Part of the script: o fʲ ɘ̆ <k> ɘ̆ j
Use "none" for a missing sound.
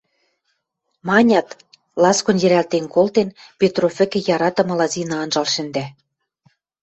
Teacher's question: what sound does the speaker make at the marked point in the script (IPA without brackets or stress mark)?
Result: k